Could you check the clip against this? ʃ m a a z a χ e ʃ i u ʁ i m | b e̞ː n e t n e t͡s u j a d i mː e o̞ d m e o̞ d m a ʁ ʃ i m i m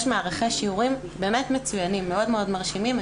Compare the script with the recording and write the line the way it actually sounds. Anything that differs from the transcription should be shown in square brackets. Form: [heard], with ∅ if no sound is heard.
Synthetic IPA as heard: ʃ m a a [ʁ] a χ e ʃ i u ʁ i m | b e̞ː [m] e t [m] e t͡s u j a [n] i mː e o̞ d m e o̞ d m a ʁ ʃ i m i m